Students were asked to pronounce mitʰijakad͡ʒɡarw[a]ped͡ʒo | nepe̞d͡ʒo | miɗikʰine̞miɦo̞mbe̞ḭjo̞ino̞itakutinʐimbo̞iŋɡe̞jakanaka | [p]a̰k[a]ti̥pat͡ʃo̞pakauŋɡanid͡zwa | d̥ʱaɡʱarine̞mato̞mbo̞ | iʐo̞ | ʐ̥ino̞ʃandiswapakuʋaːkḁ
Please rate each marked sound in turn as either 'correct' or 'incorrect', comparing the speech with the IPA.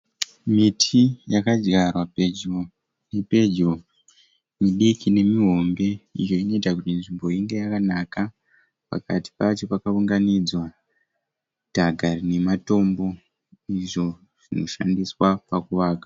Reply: correct, correct, correct

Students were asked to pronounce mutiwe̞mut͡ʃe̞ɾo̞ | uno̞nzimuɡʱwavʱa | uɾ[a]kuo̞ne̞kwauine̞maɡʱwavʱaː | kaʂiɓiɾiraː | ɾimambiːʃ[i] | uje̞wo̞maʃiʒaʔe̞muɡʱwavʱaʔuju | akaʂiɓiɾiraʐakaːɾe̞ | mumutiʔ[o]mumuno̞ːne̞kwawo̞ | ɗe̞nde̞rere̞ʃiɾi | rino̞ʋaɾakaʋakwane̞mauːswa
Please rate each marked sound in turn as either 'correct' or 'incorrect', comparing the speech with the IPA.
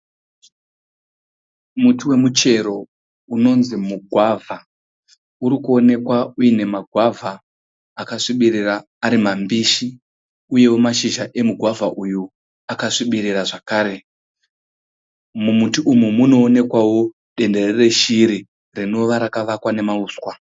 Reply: incorrect: i, correct, incorrect: u

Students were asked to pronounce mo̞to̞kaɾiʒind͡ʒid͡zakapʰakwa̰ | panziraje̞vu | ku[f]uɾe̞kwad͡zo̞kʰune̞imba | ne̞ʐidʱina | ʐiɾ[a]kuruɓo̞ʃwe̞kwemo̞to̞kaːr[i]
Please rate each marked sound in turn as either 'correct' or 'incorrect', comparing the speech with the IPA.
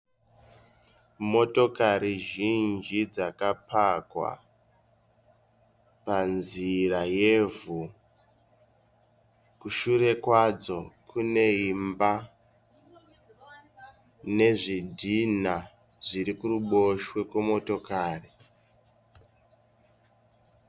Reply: incorrect: ʃ, incorrect: i, correct

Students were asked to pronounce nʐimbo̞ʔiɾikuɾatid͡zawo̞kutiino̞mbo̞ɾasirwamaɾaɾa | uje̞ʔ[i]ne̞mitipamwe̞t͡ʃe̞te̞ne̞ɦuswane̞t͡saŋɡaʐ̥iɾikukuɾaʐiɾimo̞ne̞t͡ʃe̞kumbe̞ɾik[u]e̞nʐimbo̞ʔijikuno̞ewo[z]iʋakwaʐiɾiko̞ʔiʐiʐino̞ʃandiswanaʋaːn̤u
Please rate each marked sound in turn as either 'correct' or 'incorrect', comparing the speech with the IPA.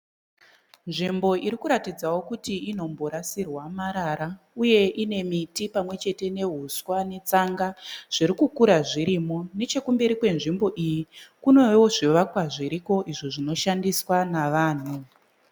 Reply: correct, incorrect: w, incorrect: ʐ

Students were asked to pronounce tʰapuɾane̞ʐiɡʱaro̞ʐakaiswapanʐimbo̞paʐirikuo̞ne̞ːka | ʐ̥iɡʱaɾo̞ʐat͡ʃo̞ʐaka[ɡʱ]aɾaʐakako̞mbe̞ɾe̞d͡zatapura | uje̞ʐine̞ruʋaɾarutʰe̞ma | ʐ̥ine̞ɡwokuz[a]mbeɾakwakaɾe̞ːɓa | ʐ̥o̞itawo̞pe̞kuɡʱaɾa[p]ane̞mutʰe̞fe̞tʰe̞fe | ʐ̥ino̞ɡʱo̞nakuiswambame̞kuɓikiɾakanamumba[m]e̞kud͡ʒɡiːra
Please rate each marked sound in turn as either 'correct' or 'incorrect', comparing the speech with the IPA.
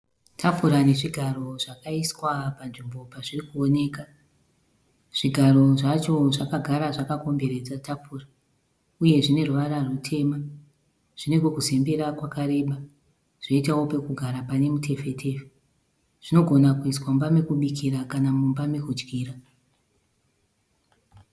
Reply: correct, incorrect: e, correct, correct

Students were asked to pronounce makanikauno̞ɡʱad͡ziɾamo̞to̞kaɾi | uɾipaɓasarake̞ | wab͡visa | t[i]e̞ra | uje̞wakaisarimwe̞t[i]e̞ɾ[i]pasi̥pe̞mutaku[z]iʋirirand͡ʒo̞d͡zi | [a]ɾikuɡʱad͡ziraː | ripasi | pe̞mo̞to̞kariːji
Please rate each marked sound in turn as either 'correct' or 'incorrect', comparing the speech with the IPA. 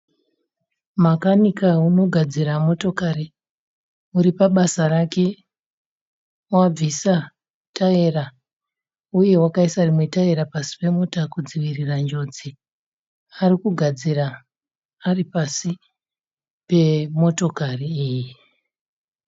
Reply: incorrect: a, incorrect: a, incorrect: a, incorrect: d͡z, correct

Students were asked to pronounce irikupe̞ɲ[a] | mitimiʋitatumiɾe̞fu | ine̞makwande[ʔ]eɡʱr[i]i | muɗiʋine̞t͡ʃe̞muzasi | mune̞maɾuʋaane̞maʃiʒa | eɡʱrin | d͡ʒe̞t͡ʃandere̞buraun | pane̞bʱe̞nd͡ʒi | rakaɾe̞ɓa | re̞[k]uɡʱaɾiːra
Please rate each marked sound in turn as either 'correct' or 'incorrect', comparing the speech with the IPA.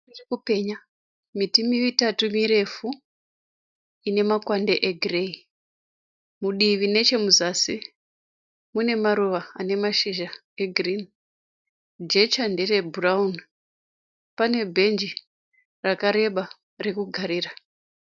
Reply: correct, correct, incorrect: e, correct

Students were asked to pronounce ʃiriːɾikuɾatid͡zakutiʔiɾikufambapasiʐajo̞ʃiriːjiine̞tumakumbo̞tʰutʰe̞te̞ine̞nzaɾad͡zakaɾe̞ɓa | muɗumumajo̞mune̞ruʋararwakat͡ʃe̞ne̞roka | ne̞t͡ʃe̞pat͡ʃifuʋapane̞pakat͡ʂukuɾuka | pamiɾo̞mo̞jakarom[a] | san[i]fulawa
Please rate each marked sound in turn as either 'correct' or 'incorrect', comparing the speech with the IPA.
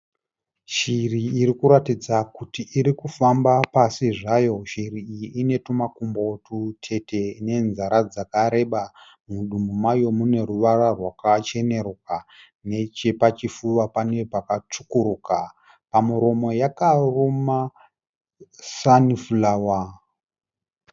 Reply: correct, correct

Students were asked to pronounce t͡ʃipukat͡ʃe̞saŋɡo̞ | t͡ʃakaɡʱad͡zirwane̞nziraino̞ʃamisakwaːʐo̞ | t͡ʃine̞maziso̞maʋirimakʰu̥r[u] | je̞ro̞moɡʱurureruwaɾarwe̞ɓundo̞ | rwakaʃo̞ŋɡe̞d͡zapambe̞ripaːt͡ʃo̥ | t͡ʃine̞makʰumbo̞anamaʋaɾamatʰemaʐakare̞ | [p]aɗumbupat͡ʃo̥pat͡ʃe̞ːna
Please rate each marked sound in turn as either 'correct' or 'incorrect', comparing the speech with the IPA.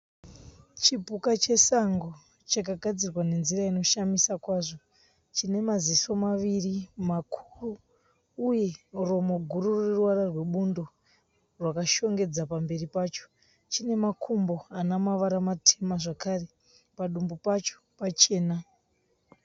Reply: incorrect: uː, correct

